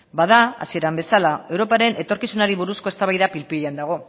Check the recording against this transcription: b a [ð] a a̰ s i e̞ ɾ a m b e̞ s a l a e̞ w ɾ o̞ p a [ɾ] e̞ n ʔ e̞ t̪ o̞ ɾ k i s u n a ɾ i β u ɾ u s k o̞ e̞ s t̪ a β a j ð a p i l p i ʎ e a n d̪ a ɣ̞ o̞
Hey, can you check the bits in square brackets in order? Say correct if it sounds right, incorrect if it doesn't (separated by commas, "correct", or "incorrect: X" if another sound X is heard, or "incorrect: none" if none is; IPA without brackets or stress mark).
correct, correct